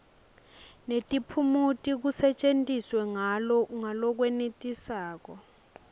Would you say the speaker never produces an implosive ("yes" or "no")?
yes